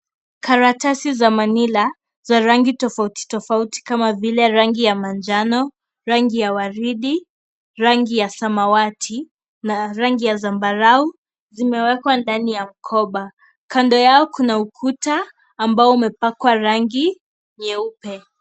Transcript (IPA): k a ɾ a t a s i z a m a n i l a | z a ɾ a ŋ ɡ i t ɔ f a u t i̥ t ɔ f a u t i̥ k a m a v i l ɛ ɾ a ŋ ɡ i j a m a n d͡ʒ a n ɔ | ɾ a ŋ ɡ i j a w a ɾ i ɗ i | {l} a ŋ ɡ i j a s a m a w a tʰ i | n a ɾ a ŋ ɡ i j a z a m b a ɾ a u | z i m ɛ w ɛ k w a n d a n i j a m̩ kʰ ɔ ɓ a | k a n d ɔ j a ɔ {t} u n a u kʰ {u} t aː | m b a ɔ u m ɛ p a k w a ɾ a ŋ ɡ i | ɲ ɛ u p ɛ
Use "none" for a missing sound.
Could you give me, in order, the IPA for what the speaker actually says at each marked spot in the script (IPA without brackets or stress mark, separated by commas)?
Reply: ɾ, k, u